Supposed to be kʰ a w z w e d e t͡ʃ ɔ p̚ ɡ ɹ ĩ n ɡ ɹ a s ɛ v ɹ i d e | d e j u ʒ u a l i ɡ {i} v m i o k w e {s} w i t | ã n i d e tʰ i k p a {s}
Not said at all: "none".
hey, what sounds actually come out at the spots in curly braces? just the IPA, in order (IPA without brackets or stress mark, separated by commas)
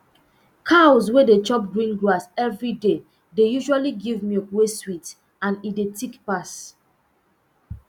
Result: i, s, s